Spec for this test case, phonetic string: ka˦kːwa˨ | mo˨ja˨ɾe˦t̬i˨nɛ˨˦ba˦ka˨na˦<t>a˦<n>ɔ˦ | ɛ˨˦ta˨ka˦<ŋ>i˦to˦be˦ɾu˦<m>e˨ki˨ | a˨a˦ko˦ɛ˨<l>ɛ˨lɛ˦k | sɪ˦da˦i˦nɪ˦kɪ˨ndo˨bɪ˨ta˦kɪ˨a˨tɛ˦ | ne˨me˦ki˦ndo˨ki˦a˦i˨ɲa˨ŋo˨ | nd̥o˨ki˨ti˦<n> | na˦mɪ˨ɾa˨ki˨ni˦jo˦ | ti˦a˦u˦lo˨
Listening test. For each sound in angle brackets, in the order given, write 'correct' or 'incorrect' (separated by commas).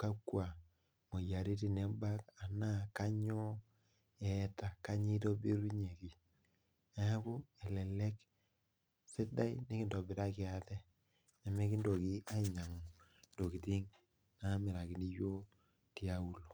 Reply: incorrect, incorrect, incorrect, incorrect, correct, incorrect